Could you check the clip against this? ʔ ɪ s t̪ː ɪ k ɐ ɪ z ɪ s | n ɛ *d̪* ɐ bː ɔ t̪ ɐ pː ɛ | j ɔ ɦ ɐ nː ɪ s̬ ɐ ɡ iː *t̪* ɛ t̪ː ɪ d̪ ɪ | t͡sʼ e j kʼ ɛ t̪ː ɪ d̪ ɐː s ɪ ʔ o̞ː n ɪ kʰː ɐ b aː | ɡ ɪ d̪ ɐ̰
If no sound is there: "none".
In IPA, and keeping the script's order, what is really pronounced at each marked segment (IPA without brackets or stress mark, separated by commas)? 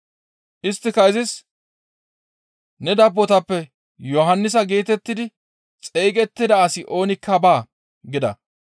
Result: d̪, t̪